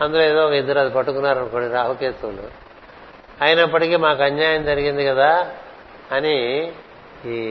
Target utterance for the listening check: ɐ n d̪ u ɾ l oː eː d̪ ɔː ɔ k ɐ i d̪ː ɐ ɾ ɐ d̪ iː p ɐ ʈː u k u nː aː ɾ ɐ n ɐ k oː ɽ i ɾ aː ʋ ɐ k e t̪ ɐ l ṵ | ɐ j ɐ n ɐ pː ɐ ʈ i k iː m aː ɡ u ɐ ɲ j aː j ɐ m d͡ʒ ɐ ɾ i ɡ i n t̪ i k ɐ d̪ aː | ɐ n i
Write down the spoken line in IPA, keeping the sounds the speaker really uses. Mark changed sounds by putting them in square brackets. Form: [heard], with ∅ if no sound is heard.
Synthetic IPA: ɐ n d̪ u [∅] l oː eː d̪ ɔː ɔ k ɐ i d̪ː ɐ ɾ ɐ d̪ [i] p ɐ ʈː u k u nː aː ɾ ɐ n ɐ k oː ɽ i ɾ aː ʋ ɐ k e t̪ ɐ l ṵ | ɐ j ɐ n ɐ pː ɐ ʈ i k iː m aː [k] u ɐ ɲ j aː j ɐ m d͡ʒ ɐ ɾ i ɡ i n [d̪] i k ɐ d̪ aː | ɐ n i